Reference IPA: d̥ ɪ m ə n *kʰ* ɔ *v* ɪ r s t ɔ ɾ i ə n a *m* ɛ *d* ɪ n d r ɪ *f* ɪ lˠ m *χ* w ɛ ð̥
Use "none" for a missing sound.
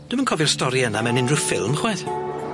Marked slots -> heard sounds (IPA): kʰ, v, m, n, f, χ

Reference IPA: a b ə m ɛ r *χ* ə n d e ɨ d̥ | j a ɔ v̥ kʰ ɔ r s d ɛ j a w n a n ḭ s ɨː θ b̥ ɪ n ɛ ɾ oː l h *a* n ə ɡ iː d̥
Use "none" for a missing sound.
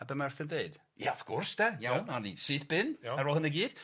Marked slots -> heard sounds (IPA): θ, ə

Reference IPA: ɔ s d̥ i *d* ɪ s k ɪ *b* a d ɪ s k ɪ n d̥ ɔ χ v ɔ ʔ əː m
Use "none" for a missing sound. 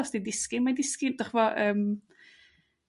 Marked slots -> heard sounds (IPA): d, m

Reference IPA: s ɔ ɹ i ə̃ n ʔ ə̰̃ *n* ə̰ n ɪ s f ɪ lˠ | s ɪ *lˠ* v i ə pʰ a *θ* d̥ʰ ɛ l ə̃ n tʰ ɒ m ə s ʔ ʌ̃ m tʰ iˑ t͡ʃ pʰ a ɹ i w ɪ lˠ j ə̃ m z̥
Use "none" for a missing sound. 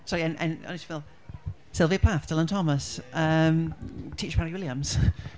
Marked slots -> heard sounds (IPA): n, lˠ, θ

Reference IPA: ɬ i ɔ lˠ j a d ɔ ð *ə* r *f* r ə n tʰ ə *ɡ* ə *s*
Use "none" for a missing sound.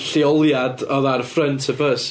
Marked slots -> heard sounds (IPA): a, f, b, s

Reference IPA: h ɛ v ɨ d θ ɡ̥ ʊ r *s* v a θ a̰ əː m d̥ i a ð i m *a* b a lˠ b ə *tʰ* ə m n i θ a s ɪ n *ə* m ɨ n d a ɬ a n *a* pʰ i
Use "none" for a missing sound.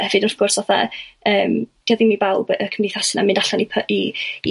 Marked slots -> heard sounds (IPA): s, i, kʰ, a, i

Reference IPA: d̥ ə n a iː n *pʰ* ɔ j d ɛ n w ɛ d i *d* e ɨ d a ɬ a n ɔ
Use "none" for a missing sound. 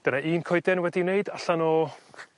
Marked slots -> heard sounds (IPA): kʰ, n

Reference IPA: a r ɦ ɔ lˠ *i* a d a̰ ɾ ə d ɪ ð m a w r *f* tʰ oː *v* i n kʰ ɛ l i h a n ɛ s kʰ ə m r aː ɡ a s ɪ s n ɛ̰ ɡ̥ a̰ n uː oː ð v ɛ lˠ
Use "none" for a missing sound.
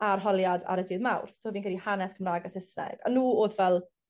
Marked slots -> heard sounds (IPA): j, θ, v

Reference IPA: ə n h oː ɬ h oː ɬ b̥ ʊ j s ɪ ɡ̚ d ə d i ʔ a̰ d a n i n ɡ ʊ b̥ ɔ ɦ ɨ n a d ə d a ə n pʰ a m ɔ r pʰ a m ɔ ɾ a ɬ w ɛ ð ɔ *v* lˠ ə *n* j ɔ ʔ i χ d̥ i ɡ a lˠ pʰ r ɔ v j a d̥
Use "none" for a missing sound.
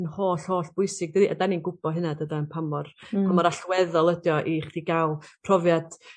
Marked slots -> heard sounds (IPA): none, d

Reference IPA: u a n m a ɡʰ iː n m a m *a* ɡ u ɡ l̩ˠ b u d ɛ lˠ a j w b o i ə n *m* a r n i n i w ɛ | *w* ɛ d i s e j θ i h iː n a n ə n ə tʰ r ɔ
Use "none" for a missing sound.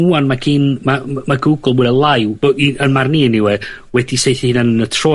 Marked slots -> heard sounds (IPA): a, m, w

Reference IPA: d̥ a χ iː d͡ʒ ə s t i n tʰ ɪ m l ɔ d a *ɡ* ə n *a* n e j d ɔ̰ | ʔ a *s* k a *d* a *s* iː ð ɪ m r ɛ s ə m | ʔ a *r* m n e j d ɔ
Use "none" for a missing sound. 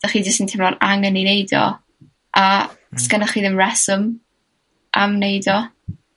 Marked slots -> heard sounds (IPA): ŋ, i, s, n, χ, none

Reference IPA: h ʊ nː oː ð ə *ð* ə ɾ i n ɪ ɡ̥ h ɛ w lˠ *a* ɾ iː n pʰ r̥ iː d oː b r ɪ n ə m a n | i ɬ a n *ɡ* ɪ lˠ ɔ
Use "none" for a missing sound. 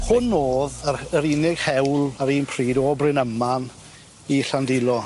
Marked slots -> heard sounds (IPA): none, a, d

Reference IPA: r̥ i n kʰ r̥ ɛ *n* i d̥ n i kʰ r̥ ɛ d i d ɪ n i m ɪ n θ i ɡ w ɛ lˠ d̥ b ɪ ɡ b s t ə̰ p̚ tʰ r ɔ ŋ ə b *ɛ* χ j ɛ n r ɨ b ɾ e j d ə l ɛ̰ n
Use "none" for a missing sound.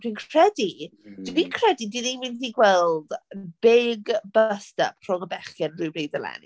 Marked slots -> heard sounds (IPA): d, ɛ

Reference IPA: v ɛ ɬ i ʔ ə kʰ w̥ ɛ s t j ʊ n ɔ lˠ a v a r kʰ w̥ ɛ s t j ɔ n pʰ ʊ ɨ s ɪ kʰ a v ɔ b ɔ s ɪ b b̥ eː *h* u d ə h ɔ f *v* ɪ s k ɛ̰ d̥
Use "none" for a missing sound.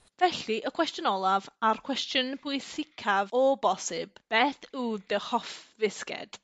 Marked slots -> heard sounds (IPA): θ, v

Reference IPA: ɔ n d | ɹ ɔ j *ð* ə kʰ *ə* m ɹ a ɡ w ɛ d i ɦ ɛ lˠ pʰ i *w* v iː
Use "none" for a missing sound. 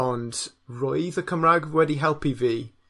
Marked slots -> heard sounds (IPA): ð, ə, none

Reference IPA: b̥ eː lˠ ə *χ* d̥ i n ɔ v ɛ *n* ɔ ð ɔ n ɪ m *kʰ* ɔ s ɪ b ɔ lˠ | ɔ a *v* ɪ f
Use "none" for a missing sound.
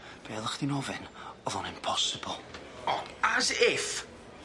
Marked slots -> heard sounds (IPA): χ, n, pʰ, z

